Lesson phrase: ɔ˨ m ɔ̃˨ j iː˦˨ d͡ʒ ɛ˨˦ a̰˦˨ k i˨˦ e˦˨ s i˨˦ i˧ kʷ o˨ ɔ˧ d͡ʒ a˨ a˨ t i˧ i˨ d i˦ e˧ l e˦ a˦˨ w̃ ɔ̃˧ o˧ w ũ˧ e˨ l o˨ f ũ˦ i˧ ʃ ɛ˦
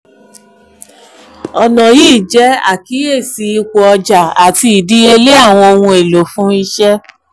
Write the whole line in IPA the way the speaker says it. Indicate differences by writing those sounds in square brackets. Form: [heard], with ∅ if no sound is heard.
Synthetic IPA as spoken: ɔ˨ [n] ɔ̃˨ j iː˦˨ d͡ʒ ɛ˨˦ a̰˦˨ k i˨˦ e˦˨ s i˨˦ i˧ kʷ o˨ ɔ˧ d͡ʒ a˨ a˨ t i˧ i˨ d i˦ e˧ l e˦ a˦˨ w̃ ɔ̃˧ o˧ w ũ˧ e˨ l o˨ f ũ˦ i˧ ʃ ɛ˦

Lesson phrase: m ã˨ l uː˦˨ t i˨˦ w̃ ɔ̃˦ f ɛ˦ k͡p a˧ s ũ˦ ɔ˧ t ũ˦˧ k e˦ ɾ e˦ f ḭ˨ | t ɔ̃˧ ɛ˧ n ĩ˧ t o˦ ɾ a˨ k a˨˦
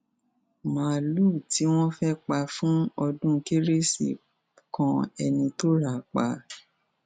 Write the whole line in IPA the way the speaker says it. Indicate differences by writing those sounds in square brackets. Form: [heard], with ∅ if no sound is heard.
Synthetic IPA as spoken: m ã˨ l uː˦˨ t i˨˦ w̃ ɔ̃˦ f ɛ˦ k͡p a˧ [f] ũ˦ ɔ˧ [d] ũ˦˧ k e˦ ɾ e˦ [s] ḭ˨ | [k] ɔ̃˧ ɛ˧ n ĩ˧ t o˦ ɾ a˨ [k͡p] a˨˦

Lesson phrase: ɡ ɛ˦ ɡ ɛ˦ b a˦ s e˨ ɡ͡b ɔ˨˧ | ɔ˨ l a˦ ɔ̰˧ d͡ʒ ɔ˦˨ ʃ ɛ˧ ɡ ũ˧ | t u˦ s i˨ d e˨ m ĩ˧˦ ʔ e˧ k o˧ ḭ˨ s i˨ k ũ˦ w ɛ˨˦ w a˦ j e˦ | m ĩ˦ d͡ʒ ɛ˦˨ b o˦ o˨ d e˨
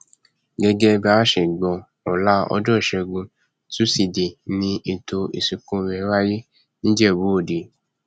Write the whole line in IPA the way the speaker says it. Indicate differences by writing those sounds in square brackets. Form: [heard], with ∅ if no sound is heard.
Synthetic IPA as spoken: ɡ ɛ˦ ɡ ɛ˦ b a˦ [ʃ] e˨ ɡ͡b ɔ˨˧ | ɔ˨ l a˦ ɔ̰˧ d͡ʒ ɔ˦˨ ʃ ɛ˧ ɡ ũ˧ | t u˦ s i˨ d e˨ [n] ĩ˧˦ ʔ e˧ [t] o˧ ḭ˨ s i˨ k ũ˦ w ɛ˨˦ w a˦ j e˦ | [n] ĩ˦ d͡ʒ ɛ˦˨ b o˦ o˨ d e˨

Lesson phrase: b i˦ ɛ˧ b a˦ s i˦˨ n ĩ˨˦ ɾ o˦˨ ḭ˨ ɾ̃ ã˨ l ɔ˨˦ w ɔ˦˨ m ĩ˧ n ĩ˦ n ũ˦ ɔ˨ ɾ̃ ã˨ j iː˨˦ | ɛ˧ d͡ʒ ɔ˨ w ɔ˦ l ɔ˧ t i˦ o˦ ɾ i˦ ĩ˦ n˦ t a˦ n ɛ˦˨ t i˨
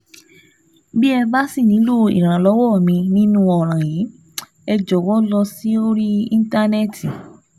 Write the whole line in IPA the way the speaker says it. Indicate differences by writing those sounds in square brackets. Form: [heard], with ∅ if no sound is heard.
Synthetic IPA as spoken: b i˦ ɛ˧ b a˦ s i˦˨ n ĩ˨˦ [l] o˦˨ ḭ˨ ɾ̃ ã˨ l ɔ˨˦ w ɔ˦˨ m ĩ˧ n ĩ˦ n ũ˦ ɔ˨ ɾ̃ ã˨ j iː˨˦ | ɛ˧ d͡ʒ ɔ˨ w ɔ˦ l ɔ˧ [s] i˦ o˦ ɾ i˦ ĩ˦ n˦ t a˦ n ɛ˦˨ t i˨

